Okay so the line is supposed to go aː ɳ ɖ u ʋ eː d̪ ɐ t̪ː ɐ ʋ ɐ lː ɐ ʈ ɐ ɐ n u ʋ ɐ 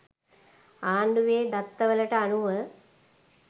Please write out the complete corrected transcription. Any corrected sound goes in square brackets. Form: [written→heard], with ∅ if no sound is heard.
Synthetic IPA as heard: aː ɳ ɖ u ʋ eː d̪ ɐ t̪ː ɐ ʋ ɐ [lː→l] ɐ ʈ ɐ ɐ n u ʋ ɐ